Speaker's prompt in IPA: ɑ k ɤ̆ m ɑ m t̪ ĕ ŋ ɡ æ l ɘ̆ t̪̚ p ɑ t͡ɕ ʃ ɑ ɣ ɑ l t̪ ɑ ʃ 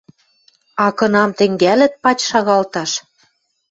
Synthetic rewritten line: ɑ k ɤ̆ n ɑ m t̪ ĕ ŋ ɡ æ l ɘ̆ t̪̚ p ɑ t͡ɕ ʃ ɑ ɣ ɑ l t̪ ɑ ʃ